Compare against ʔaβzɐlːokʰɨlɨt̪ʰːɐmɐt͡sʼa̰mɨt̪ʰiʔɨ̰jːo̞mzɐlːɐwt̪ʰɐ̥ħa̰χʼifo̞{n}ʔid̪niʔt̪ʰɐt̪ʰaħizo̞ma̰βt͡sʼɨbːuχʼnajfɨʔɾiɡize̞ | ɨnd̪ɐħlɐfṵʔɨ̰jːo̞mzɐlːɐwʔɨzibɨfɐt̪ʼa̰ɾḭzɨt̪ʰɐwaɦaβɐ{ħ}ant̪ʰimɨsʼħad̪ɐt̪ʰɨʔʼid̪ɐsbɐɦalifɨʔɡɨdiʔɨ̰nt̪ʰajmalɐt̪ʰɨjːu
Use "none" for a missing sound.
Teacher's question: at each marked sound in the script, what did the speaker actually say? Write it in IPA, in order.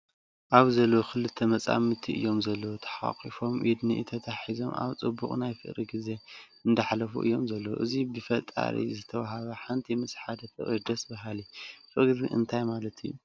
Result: m, ħ

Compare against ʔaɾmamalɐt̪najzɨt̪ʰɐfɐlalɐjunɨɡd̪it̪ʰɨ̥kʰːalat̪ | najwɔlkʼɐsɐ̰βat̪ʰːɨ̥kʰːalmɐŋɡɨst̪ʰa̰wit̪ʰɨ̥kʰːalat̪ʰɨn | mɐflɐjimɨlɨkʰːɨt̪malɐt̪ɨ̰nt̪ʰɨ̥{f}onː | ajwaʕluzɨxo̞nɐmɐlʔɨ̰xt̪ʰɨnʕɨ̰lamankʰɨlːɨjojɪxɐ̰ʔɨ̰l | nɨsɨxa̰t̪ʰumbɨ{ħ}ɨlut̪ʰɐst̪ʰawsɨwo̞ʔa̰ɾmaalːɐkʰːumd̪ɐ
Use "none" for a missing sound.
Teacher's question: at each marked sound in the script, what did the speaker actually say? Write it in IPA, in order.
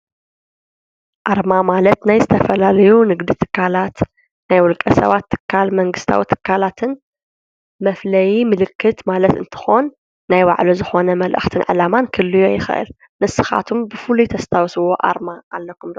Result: x, f

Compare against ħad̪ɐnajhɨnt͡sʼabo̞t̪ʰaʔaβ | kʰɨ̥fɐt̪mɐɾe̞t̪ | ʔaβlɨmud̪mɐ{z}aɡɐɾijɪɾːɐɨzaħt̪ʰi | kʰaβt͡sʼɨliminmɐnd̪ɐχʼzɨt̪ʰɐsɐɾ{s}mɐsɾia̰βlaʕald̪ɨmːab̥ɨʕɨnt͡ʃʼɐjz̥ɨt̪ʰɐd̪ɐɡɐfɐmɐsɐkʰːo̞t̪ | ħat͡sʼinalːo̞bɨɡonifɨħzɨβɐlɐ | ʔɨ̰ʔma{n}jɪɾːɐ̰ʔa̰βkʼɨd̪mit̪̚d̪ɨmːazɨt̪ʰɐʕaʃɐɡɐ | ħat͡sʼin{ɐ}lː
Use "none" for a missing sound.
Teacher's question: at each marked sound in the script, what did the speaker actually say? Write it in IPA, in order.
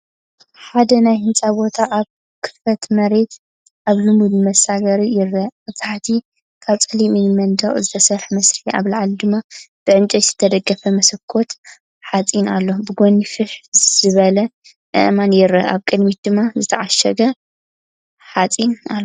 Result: s, ħ, n, a

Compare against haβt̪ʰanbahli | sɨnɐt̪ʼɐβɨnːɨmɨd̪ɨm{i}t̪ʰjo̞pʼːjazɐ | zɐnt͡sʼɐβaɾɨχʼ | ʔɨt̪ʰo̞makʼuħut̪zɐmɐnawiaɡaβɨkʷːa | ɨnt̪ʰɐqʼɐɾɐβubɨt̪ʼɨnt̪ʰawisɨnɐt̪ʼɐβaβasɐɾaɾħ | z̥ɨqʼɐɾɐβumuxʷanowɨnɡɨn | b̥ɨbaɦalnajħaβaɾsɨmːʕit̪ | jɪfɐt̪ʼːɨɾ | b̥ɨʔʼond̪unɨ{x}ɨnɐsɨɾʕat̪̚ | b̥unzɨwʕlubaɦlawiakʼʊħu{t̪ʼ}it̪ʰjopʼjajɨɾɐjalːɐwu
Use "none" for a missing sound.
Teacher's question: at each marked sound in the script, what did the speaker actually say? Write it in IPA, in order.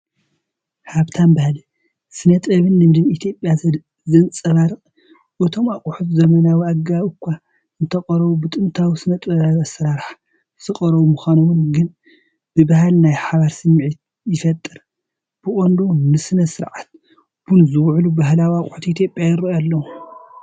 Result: i, s, t̪

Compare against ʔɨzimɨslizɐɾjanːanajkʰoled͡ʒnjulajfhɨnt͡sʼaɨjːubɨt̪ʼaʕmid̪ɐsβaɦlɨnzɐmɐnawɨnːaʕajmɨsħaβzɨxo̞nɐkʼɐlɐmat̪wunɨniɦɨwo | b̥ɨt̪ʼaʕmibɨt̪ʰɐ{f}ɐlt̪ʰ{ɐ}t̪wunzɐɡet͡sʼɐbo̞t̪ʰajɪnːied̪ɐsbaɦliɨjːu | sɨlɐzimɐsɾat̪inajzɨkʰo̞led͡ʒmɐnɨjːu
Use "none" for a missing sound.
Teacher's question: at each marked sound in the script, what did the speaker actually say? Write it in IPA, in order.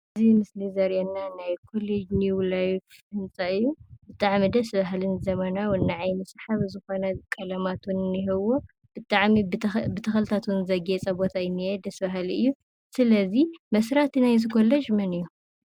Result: x, a

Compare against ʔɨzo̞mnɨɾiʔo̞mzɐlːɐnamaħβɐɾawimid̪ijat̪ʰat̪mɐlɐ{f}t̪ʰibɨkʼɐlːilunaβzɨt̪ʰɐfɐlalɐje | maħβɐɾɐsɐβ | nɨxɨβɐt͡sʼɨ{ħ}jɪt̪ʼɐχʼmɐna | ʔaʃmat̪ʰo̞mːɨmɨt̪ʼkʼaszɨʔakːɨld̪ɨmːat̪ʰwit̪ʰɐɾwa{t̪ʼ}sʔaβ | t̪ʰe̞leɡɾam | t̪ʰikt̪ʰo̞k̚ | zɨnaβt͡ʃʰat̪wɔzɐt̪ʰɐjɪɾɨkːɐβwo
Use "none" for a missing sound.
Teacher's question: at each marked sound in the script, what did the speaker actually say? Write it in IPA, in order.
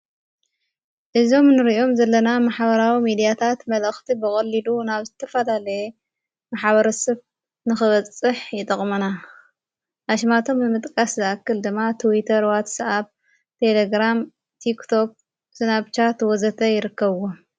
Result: x, ħ, t̪

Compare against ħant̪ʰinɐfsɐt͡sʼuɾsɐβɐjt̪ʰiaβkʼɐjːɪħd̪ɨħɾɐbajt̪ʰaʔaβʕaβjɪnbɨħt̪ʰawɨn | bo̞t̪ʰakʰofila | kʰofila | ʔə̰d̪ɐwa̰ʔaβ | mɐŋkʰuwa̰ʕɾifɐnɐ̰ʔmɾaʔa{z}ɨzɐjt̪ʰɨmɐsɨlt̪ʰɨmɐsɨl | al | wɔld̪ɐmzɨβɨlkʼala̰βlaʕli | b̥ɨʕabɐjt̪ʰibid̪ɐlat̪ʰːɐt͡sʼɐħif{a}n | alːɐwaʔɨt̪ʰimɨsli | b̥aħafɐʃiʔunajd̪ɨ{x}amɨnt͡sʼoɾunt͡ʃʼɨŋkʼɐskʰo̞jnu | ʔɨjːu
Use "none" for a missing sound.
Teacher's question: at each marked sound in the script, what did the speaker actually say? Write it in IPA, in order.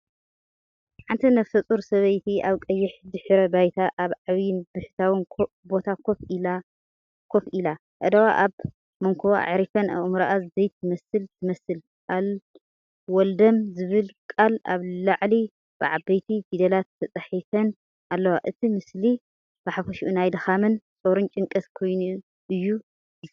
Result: z, ɐ, x

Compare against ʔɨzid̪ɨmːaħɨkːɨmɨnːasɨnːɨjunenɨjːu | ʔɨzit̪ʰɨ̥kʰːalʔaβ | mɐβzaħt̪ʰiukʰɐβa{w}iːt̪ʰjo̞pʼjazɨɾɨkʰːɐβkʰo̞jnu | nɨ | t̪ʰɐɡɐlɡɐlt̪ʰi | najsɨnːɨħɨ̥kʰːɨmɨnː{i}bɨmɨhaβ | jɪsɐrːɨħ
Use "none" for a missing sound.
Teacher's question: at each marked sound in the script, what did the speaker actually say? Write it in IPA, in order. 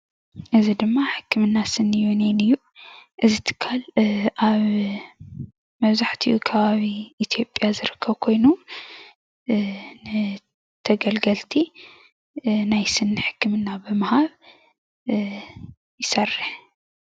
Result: β, a

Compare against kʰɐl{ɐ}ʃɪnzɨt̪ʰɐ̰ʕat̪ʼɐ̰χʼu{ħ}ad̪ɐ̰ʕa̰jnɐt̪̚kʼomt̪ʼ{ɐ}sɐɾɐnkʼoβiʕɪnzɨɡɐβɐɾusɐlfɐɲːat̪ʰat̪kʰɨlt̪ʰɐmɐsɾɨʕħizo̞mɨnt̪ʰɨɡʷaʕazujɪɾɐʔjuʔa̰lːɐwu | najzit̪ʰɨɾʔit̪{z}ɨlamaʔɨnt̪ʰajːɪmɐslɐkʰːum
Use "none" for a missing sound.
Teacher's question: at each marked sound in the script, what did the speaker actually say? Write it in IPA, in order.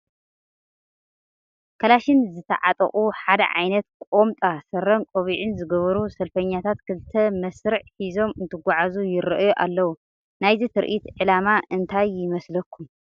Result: a, ħ, a, ʕ

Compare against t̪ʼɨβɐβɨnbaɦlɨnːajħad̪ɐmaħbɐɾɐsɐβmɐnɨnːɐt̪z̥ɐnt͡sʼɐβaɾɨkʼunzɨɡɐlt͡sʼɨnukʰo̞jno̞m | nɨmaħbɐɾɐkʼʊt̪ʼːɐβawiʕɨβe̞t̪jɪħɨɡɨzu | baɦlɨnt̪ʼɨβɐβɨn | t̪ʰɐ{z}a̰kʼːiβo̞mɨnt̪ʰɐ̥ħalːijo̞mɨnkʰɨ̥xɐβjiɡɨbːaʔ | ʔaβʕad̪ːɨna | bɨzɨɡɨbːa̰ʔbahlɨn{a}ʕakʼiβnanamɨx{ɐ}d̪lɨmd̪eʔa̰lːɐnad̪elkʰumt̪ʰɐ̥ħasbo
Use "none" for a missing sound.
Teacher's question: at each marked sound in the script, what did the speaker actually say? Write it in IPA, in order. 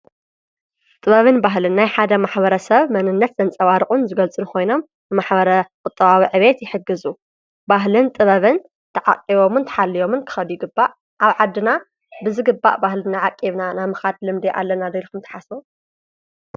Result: ʕ, a, a

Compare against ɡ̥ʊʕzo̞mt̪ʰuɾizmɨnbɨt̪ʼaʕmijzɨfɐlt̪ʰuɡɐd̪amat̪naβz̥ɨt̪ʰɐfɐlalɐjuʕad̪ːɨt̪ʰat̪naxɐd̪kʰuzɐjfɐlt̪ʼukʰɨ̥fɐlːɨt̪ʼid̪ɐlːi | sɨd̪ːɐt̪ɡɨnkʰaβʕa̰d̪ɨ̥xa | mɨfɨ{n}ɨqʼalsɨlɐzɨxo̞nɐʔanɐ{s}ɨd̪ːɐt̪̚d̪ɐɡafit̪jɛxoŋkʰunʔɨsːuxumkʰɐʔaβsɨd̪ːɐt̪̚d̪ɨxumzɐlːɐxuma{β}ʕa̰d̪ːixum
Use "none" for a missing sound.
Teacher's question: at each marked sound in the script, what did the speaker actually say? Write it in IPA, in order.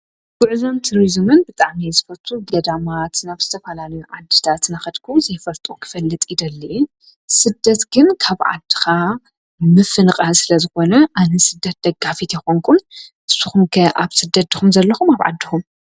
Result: n, s, β

